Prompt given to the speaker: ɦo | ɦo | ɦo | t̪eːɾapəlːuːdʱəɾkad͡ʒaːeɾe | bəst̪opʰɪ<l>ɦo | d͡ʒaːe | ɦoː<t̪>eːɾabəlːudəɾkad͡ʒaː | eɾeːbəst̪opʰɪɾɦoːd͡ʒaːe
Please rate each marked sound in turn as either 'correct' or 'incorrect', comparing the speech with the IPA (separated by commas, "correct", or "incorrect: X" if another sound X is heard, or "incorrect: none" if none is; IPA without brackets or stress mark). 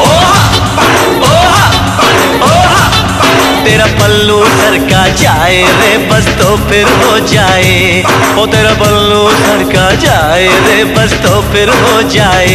incorrect: ɾ, correct